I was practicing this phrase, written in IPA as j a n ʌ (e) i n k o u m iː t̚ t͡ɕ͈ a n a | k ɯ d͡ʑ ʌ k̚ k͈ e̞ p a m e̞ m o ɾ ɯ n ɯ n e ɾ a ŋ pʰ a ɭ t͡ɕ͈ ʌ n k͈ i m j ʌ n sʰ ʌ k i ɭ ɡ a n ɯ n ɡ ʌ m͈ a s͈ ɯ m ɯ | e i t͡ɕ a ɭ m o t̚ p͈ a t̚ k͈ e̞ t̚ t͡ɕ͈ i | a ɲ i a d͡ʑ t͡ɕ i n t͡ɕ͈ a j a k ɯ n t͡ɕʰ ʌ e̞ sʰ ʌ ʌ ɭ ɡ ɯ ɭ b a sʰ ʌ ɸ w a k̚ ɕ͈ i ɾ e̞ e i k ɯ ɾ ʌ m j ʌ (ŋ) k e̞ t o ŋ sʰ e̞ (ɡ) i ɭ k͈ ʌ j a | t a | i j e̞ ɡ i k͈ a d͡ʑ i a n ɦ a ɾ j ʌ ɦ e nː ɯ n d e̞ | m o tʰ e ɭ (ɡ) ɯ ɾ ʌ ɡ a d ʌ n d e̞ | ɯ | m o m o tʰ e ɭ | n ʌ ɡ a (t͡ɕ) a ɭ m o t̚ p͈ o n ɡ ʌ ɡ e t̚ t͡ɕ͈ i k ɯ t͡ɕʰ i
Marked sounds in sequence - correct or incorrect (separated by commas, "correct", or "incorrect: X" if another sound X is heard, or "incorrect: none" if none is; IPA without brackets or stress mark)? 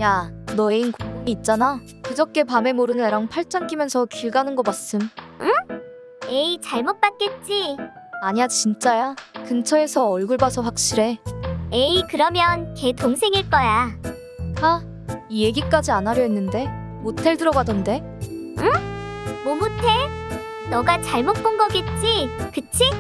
correct, incorrect: n, incorrect: ŋ, incorrect: d, correct